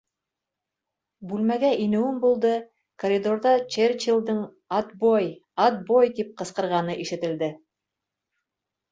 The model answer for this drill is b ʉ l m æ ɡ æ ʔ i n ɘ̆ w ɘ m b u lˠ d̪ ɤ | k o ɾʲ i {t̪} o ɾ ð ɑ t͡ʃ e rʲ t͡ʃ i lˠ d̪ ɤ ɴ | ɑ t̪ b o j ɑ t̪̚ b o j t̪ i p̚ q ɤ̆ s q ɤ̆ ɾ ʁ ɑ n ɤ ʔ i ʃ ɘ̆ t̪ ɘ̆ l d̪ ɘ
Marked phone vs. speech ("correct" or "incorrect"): incorrect